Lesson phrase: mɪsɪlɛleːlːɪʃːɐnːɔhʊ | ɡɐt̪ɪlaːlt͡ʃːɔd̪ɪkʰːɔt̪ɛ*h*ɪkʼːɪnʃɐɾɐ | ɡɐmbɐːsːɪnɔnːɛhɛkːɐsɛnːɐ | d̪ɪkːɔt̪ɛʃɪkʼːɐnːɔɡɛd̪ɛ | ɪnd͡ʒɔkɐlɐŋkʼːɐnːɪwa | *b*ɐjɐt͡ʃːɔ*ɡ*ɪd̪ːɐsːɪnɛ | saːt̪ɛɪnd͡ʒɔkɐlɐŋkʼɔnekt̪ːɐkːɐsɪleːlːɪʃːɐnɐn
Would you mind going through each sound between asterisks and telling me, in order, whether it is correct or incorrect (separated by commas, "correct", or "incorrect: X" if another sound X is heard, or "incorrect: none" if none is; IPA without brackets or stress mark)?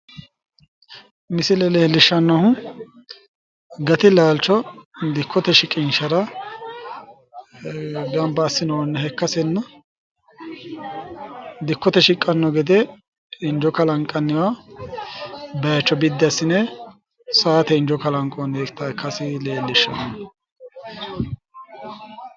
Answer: incorrect: ʃ, correct, incorrect: b